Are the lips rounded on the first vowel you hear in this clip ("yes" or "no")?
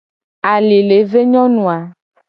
no